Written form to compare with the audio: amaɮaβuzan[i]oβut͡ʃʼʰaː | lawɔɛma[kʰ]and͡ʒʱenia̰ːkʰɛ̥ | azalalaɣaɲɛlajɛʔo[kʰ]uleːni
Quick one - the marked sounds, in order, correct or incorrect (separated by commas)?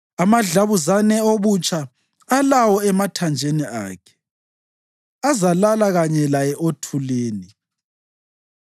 incorrect, incorrect, incorrect